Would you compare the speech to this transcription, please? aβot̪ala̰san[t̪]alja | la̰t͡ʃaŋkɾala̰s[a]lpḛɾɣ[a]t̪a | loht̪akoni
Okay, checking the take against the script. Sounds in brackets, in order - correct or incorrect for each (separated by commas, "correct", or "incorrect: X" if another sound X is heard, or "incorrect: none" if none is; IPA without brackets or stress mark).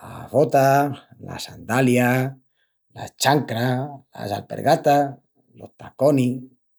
incorrect: d̪, correct, correct